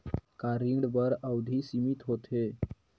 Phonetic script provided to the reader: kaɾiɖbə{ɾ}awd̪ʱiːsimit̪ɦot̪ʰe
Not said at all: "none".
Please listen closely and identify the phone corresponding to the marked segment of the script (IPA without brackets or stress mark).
ɾ